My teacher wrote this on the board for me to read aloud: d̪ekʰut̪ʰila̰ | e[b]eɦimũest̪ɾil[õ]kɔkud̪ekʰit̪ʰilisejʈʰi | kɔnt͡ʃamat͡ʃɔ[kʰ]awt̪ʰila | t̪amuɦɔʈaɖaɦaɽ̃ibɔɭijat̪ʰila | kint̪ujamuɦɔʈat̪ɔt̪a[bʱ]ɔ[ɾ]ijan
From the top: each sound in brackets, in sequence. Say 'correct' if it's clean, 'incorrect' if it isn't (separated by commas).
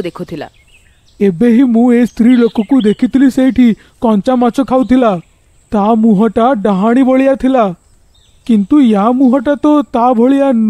correct, incorrect, correct, correct, incorrect